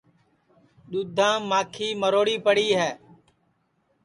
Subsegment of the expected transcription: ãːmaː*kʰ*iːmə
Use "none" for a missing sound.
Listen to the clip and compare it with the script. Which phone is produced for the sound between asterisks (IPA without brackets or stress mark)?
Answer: kʰ